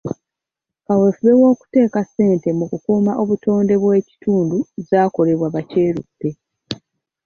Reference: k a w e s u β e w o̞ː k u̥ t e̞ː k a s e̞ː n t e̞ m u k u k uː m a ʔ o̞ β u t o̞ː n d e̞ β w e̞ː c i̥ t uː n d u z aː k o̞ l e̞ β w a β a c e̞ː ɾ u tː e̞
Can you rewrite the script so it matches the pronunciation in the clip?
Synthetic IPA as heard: k a w e f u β e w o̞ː k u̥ t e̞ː k a s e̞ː n t e̞ m u k u k uː m a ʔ o̞ β u t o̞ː n d e̞ β w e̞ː c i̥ t uː n d u z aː k o̞ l e̞ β w a β a c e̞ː ɾ u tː e̞